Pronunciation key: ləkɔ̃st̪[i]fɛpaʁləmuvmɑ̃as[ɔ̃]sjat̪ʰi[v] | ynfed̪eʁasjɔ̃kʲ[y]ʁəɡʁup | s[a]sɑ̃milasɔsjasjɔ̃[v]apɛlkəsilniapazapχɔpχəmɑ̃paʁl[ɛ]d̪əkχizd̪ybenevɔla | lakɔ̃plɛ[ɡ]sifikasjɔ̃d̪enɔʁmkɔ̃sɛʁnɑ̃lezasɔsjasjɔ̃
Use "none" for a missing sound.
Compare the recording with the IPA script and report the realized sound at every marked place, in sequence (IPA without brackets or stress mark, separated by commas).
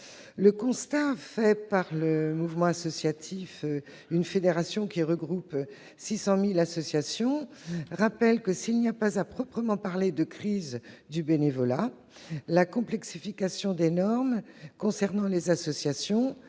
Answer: a, ɔ, f, i, i, ʁ, e, k